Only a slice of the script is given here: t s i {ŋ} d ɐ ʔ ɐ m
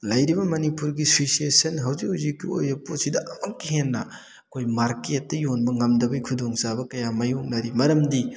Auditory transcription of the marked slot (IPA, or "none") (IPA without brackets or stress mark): none